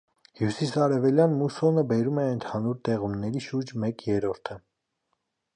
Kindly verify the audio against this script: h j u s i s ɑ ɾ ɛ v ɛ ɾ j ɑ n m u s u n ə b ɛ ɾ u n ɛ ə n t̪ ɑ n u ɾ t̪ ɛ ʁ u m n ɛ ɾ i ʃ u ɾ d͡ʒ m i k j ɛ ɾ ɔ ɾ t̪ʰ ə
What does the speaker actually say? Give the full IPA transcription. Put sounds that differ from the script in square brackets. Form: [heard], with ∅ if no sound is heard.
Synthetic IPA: h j u s i s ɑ ɾ ɛ v ɛ [l] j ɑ n m u s [ɔ] n ə b ɛ ɾ u [m] ɛ ə n [t̪ʰ] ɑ n u ɾ t̪ ɛ ʁ u m n ɛ ɾ i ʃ u ɾ d͡ʒ m [ɛ] k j ɛ ɾ ɔ ɾ t̪ʰ ə

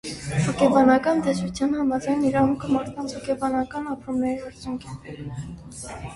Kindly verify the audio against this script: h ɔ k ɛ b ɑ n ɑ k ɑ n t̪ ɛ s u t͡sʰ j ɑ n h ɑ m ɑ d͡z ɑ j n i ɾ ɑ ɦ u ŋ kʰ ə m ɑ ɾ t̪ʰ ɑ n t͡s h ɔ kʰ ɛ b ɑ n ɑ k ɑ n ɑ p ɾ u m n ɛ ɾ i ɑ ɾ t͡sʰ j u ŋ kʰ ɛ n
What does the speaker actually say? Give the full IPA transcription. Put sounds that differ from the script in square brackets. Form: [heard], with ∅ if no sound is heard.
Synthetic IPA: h ɔ k ɛ b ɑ n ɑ k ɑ n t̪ ɛ s u t͡sʰ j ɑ n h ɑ m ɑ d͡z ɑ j n i ɾ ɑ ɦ u ŋ kʰ ə m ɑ ɾ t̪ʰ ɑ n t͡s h ɔ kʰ ɛ b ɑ n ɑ k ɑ n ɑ p ɾ u m n ɛ ɾ i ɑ ɾ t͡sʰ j u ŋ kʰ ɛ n

